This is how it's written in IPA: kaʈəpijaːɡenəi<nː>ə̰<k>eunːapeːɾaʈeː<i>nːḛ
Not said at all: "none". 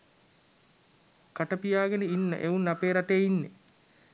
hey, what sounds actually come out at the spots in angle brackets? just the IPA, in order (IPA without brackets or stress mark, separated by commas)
nː, ʔ, i